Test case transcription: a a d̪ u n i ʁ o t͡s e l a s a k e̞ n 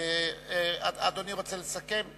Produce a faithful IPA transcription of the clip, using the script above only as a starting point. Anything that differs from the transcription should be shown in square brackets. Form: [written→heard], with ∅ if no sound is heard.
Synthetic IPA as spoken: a a d̪ [u→o] n i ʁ o t͡s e l [a→e] s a k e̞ [n→m]

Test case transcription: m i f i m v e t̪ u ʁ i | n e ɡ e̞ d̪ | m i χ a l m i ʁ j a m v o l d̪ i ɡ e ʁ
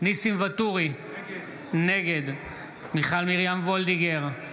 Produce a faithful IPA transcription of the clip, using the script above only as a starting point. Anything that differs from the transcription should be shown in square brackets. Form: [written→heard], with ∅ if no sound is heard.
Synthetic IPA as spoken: [m→n] i [f→s] i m v [e→a] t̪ u ʁ i | n e ɡ e̞ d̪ | m i χ a l m i ʁ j a m v o l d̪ i ɡ e ʁ

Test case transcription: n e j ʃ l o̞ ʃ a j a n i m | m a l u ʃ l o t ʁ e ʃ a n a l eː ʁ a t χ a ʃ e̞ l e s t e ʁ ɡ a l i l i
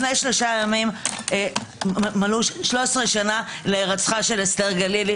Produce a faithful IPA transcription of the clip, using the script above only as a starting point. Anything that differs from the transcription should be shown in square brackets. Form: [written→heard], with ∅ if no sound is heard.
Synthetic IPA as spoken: n e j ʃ l o̞ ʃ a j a [n→m] i m | m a l u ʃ l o [t→s] ʁ e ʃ a n a l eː ʁ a [t→t͡s] χ a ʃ e̞ l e s t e ʁ ɡ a l i l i

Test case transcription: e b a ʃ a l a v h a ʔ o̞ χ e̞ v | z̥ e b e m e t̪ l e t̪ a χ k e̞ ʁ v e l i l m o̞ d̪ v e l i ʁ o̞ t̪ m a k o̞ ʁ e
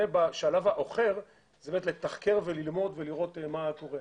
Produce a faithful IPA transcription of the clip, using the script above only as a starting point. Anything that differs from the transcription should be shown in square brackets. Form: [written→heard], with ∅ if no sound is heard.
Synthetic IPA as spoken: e b a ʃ a l a v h a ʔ o̞ χ e̞ [v→ʁ] | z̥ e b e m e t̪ l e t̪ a χ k e̞ ʁ v e l i l m o̞ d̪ v e l i ʁ o̞ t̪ m a k o̞ ʁ e

